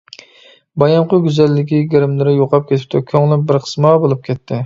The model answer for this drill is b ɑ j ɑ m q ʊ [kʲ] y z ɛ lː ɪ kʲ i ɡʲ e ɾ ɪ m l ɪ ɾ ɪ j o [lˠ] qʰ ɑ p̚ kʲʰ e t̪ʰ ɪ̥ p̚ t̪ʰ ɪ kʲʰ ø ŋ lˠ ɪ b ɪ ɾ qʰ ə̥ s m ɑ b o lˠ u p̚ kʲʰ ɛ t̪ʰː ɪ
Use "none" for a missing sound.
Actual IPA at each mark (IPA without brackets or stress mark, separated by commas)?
ɡʲ, none